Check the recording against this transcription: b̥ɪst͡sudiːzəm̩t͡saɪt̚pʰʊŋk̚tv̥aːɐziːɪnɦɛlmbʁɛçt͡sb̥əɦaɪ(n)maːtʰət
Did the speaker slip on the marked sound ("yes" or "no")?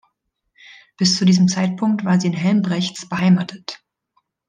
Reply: yes